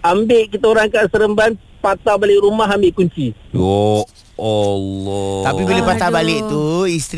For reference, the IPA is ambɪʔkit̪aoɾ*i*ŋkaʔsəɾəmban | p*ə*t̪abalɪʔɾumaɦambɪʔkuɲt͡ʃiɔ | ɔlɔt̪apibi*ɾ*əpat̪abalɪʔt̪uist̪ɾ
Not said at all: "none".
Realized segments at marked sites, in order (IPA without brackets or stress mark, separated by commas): a, a, l